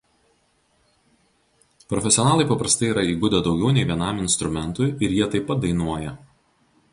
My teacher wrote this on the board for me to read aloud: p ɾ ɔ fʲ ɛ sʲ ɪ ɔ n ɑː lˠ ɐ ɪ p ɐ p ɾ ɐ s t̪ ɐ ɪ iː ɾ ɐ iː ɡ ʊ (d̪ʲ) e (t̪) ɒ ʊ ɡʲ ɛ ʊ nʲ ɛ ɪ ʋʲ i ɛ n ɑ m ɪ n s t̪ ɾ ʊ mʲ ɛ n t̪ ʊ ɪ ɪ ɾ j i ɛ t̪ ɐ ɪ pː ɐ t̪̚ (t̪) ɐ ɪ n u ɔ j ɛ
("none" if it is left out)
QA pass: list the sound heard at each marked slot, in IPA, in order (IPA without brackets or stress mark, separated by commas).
d̪ʲ, d̪, d̪